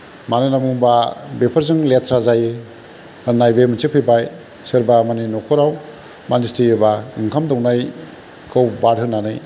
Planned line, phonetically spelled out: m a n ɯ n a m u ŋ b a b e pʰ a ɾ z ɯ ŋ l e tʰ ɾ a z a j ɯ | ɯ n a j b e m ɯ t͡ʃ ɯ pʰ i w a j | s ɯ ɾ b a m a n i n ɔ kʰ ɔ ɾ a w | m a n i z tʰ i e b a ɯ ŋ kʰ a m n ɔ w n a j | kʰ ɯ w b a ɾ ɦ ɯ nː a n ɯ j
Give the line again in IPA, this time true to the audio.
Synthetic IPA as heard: m a n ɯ n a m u ŋ b a b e pʰ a ɾ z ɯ ŋ l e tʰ ɾ a z a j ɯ | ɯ n a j b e m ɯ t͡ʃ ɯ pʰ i b a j | s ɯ ɾ b a m a n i n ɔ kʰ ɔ ɾ a w | m a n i s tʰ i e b a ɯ ŋ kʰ a m d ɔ w n a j | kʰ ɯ w b a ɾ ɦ ɯ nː a n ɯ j